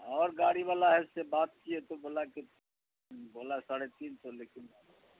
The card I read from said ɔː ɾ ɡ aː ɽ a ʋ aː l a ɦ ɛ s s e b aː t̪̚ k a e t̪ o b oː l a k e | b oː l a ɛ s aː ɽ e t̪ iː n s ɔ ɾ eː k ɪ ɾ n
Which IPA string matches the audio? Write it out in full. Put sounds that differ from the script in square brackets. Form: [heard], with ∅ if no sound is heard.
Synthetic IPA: ɔː ɾ ɡ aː ɽ [i] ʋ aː l a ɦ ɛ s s e b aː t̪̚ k [i] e t̪ o b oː l a k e | b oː l a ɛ s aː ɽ e t̪ iː n s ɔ [l] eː k ɪ [∅] n